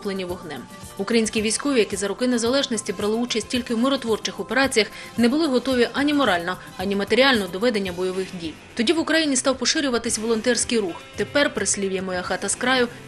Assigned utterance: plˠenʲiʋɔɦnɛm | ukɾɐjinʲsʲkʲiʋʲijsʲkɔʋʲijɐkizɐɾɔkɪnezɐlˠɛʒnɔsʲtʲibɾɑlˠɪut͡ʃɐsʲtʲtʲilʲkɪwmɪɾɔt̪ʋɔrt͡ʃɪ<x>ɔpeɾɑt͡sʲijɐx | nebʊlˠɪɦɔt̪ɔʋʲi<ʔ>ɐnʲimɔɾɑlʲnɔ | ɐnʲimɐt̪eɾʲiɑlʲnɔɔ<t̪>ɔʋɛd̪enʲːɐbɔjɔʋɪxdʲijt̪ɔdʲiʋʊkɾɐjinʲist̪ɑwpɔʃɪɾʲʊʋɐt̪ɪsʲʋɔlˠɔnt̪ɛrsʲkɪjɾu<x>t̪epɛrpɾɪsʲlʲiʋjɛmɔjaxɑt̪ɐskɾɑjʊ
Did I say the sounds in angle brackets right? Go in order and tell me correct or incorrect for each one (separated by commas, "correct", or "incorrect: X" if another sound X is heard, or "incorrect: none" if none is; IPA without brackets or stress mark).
correct, correct, incorrect: d̪, correct